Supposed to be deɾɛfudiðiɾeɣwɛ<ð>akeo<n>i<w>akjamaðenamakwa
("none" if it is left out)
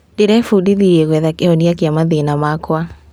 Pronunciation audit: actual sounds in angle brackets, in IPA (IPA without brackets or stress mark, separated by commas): ð, n, none